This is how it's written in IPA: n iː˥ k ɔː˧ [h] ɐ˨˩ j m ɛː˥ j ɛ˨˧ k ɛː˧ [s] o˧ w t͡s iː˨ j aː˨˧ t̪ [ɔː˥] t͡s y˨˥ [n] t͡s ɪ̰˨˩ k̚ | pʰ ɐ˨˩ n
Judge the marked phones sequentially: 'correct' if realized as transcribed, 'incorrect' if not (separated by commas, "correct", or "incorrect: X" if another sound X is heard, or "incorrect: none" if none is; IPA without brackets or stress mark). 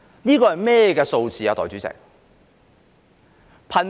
correct, correct, incorrect: ɔː˨˩, incorrect: none